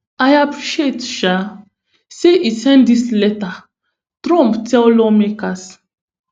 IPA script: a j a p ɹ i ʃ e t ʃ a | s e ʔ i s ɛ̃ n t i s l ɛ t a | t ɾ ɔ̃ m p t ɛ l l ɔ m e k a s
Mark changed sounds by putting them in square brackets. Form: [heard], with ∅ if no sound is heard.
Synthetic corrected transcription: a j a p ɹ i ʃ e t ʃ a | s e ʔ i s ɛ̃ n [d] i s l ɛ t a | t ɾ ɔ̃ m p t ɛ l l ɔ m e k a s